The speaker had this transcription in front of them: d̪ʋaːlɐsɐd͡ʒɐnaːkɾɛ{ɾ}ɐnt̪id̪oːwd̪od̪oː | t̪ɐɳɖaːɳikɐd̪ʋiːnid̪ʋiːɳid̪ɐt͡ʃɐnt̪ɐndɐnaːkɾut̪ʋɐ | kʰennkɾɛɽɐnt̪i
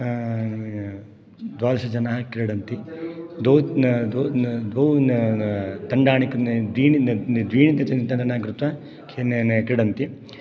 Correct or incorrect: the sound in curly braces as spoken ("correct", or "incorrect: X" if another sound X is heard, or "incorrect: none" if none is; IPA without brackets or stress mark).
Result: incorrect: ɽ